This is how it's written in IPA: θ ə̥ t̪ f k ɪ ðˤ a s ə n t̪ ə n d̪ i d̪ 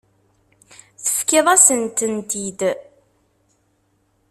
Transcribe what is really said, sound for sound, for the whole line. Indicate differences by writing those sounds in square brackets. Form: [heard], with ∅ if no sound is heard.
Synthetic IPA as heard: θ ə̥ [∅] f k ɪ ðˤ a s ə n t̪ ə n [t̪] i d̪